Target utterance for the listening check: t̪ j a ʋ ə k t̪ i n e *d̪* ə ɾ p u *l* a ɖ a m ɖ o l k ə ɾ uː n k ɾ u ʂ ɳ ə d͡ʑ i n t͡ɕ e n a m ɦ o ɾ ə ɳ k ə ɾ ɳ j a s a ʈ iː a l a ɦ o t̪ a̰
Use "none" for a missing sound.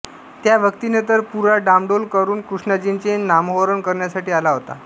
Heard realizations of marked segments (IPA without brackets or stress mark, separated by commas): t̪, ɾ